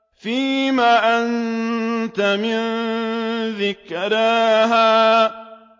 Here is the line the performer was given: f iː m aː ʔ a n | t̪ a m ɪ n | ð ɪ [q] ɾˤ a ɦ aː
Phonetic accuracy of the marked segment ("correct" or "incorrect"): incorrect